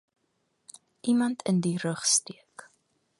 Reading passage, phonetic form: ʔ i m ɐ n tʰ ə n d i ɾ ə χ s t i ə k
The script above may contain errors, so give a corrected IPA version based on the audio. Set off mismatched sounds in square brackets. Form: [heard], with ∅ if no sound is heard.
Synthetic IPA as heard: ʔ i m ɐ n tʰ ə n d i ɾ ə χ s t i ə k